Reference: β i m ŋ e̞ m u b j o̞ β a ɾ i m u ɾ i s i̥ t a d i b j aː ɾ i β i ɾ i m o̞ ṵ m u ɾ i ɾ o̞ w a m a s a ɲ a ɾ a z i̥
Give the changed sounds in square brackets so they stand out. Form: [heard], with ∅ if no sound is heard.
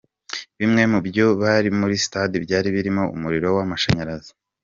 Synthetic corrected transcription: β i m ŋ e̞ m u b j o̞ β a ɾ i m u ɾ i s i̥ t a d i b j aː ɾ i β i ɾ i m o̞ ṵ m u ɾ i ɾ o̞ w a m a [ʃ] a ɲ a ɾ a z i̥